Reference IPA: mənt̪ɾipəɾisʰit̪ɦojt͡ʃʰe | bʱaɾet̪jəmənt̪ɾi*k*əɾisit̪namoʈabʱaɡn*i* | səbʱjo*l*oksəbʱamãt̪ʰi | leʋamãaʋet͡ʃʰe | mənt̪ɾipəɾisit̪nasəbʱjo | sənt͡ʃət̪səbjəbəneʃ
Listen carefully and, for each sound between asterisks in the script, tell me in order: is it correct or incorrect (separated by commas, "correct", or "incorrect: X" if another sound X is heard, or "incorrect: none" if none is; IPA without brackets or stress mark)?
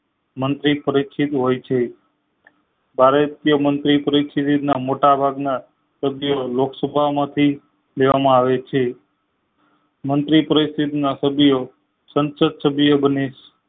incorrect: p, incorrect: a, correct